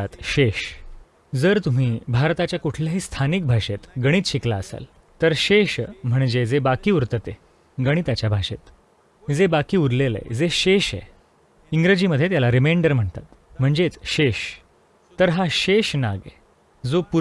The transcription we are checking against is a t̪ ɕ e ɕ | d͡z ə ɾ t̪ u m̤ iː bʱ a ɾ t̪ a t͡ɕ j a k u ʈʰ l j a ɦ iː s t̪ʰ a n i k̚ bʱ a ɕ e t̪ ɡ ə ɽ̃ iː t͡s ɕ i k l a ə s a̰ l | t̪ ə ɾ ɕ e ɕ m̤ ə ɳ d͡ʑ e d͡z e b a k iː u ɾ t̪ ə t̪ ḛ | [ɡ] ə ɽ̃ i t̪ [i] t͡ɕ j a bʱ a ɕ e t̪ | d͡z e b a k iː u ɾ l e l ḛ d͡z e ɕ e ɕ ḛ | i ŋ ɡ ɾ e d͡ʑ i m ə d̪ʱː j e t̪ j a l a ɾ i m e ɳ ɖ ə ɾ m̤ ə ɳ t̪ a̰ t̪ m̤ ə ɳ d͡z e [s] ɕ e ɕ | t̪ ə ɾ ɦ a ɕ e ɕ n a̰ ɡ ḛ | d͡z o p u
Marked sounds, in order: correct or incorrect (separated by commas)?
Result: correct, incorrect, incorrect